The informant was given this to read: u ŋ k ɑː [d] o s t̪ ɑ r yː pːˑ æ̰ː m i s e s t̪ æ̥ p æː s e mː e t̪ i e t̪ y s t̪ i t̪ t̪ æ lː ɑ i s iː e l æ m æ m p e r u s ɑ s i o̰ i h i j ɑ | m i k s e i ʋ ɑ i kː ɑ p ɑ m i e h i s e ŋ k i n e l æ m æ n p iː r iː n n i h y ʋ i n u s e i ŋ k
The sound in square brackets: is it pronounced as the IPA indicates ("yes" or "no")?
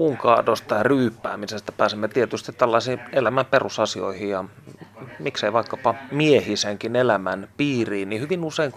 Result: yes